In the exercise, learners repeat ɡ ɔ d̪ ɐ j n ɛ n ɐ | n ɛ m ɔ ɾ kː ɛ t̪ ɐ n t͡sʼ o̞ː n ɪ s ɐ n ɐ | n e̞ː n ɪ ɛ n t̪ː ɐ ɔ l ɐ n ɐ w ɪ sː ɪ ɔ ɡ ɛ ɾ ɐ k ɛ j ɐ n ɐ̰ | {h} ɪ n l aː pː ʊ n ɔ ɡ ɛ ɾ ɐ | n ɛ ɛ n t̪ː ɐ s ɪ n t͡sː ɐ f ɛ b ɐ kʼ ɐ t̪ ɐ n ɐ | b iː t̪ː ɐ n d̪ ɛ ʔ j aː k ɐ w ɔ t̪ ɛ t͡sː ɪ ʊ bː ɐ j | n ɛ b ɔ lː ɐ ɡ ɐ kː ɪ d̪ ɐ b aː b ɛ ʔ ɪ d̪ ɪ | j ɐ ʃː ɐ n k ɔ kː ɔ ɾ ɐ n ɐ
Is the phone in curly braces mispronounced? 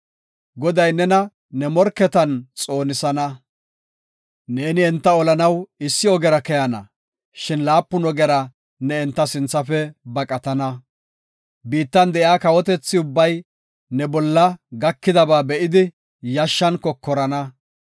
yes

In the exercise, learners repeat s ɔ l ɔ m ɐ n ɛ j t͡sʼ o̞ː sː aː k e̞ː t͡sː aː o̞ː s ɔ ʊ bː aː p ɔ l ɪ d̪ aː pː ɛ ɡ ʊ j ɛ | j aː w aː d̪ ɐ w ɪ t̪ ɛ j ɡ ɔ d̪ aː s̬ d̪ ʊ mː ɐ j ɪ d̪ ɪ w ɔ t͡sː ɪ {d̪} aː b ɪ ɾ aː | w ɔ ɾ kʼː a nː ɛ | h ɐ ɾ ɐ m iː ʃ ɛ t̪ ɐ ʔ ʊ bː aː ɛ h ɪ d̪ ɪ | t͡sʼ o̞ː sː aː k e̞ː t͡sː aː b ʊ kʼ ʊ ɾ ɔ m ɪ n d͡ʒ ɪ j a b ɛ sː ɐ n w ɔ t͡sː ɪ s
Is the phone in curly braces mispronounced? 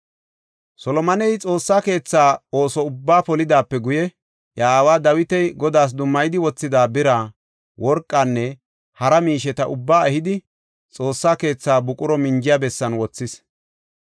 no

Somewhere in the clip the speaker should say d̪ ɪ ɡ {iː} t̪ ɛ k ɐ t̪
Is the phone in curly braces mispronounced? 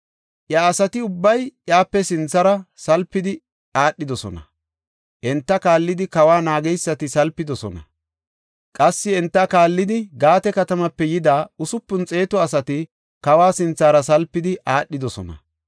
yes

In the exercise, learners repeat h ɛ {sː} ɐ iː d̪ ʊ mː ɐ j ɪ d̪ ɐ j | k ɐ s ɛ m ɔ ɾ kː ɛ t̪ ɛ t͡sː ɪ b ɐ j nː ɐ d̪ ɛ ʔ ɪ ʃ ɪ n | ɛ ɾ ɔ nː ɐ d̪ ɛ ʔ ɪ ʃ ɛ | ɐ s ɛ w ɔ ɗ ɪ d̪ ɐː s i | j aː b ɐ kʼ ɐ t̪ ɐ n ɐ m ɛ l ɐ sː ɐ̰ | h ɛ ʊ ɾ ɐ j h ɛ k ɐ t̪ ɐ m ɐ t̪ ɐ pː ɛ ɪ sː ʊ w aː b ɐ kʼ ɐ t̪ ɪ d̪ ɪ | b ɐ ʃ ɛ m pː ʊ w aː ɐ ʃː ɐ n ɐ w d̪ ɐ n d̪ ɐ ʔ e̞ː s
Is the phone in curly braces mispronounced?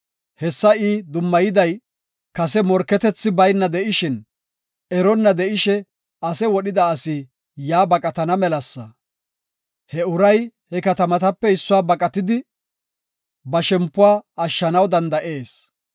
no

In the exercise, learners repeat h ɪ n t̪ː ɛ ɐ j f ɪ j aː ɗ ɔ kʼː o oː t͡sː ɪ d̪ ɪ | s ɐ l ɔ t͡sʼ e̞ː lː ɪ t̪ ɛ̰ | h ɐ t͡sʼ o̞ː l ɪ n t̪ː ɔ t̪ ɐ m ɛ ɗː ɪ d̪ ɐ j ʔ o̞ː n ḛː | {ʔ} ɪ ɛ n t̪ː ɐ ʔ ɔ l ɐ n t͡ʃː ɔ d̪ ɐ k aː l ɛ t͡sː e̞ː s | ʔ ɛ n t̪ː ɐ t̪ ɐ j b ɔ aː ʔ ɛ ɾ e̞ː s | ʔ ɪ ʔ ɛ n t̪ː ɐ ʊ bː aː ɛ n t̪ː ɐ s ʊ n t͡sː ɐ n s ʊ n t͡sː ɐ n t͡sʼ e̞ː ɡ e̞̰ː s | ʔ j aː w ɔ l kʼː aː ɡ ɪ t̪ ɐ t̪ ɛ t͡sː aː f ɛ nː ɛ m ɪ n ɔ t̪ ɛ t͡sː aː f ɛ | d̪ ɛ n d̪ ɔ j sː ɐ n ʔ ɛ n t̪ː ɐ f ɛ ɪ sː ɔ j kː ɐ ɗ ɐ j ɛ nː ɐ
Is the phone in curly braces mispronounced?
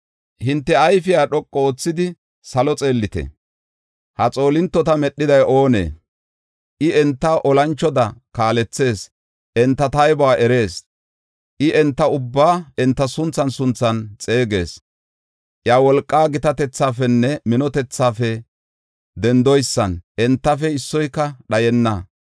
no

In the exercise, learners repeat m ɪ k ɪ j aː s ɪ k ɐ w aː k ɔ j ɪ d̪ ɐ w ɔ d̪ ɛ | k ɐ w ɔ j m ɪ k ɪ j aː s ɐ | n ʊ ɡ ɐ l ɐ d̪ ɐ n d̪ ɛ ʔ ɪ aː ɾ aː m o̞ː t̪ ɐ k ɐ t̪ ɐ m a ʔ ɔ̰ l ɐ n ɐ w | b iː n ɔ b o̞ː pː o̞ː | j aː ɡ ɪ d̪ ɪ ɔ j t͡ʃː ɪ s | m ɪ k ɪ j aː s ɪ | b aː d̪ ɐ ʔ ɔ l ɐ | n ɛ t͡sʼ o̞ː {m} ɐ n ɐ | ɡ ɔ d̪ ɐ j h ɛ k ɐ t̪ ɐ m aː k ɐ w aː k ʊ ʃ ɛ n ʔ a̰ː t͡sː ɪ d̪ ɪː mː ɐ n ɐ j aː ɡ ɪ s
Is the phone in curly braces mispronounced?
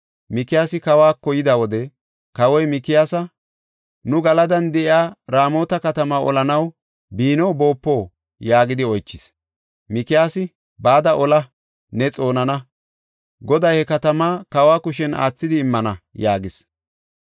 yes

